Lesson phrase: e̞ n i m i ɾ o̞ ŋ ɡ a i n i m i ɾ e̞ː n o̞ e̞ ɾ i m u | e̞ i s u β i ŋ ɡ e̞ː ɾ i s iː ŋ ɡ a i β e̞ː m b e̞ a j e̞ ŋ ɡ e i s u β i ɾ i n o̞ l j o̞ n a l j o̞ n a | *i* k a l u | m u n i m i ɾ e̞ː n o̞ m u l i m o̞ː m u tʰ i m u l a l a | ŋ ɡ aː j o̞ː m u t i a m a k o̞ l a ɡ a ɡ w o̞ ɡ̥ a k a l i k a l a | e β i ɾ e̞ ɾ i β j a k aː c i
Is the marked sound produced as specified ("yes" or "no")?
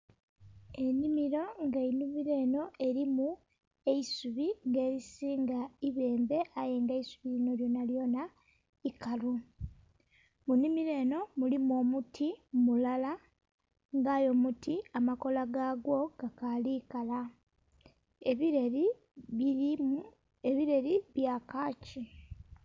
yes